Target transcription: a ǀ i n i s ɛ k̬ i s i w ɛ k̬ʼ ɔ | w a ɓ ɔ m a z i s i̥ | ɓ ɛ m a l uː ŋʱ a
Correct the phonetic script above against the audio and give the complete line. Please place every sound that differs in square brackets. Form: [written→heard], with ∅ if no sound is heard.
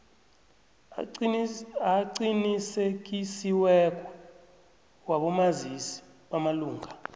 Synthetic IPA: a ǀ i n i s [ɛ→e] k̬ i s i w ɛ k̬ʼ ɔ | w a ɓ ɔ m a z i s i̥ | ɓ [ɛ→a] m a l uː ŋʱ a